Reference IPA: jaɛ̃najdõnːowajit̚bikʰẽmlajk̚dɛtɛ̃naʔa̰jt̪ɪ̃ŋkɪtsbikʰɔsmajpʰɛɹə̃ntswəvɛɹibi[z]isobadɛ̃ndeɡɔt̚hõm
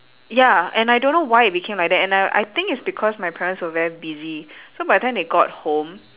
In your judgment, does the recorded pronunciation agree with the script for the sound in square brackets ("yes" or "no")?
yes